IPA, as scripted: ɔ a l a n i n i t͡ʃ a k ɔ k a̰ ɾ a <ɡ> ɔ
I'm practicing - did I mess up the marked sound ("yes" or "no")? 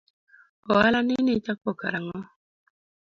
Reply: yes